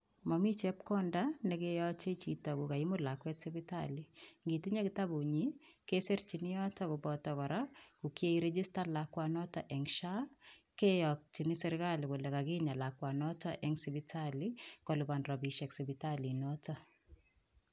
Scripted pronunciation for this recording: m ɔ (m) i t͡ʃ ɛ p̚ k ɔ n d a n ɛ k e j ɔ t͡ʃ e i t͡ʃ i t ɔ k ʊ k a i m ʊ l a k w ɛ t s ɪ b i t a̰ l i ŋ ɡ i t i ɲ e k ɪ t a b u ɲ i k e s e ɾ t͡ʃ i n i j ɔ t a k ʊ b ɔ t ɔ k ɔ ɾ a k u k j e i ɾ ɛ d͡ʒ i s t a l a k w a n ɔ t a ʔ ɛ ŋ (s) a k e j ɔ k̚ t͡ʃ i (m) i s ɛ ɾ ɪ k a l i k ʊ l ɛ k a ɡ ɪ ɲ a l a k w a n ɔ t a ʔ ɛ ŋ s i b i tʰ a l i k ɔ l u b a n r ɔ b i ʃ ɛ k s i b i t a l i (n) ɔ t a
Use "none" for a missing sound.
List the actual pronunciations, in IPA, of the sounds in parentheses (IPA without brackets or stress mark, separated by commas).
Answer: m, ʃ, n, n